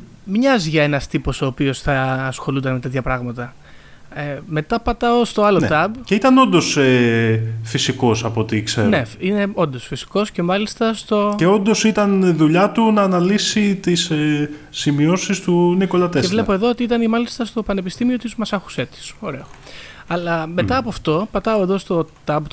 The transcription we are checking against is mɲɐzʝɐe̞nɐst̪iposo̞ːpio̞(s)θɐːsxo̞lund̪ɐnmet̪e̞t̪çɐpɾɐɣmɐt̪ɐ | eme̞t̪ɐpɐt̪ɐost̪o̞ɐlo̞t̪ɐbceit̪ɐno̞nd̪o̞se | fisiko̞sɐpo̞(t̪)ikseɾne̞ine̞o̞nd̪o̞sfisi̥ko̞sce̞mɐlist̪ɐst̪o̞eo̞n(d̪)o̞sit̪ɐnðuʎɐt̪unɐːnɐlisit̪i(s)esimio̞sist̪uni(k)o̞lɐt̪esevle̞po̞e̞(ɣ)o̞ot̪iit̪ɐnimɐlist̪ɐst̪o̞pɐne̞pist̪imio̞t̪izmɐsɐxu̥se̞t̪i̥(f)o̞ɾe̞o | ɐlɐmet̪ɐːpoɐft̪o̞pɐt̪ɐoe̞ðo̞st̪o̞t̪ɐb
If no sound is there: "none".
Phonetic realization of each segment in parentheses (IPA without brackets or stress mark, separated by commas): s, t̪, d̪, s, k, ð, s